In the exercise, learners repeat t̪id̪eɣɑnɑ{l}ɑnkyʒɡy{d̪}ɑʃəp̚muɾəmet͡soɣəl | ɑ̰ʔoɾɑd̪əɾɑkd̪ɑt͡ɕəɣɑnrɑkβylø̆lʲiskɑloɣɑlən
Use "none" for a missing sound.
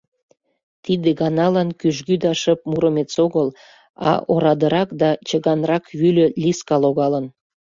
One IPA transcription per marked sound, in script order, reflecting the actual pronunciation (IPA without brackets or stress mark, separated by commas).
l, d̪